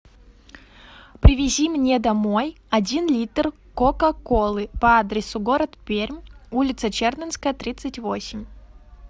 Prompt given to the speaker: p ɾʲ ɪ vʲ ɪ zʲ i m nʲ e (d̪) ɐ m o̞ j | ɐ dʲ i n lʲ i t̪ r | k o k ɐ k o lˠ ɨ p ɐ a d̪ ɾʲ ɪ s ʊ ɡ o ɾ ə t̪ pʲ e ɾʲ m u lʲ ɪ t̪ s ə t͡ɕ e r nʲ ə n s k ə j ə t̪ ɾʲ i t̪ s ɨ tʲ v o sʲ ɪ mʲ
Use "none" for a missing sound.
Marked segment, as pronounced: d̪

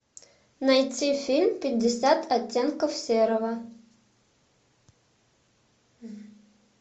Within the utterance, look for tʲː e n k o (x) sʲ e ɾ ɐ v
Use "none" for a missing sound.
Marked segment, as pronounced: f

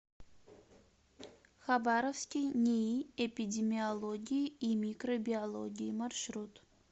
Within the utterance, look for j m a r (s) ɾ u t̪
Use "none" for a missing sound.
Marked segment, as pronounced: ʃ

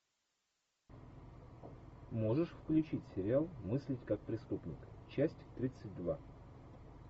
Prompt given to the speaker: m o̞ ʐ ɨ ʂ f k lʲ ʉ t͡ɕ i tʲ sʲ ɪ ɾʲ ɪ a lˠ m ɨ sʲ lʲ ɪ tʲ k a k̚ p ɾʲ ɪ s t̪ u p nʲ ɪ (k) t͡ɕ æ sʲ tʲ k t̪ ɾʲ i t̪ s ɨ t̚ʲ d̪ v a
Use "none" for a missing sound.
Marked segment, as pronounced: k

